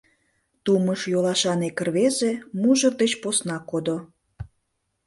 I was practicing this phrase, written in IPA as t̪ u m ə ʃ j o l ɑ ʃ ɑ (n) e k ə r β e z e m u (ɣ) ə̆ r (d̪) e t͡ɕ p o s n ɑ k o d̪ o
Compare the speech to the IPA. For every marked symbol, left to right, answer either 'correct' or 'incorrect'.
correct, incorrect, correct

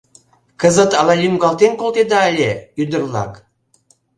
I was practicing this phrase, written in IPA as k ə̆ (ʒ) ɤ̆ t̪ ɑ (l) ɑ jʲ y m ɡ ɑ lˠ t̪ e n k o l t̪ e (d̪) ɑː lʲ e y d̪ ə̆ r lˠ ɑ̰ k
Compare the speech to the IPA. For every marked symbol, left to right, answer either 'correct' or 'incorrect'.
incorrect, correct, correct

